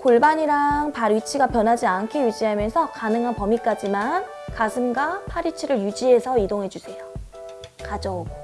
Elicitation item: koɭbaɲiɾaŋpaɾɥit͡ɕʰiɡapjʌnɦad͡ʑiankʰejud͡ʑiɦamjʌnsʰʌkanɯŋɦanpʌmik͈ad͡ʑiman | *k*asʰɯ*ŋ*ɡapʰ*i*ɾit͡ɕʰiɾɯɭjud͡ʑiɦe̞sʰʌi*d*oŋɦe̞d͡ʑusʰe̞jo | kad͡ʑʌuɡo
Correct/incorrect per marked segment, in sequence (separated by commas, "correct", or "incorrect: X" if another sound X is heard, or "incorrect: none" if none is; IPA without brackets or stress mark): correct, incorrect: m, incorrect: a, correct